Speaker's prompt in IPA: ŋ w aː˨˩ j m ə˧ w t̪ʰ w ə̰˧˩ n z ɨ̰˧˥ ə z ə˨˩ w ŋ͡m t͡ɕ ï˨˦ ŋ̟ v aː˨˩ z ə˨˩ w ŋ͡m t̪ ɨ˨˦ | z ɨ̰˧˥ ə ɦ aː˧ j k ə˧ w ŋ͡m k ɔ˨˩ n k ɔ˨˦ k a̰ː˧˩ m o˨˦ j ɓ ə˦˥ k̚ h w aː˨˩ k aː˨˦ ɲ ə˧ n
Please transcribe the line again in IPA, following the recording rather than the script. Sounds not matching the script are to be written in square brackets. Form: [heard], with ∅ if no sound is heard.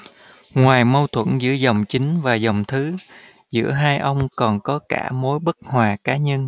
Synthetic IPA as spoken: ŋ w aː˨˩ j m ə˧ w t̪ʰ w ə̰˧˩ n z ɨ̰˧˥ ə z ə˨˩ w ŋ͡m t͡ɕ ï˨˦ ŋ̟ v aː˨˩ z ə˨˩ w ŋ͡m [t̪ʰ] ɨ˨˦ | z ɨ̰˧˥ ə ɦ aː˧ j [ʔ] ə˧ w ŋ͡m k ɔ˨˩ n k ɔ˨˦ k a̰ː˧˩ m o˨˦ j ɓ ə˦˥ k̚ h w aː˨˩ k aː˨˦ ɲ ə˧ n